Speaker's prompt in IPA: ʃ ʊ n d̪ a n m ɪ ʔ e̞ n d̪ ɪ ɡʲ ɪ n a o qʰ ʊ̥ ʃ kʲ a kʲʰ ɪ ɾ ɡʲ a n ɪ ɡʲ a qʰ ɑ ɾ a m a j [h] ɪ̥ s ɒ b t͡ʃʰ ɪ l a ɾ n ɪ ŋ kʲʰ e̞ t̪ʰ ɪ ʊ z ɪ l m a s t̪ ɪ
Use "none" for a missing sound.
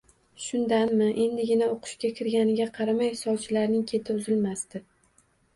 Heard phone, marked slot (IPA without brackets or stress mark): h